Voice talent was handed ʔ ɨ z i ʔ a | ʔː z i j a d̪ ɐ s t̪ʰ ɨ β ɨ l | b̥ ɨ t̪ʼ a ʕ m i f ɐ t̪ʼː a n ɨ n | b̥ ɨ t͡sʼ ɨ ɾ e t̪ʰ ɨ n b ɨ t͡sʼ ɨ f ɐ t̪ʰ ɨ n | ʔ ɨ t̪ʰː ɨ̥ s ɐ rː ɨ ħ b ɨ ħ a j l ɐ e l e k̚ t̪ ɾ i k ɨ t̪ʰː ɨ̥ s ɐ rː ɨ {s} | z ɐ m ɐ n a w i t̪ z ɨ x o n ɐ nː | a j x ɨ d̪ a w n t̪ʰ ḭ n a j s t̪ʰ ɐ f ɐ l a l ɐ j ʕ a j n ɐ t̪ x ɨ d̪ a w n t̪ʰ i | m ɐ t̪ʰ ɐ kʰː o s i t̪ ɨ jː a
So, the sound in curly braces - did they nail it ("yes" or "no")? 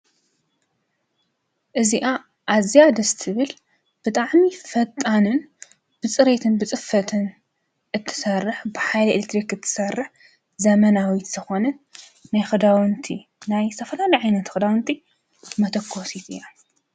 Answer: no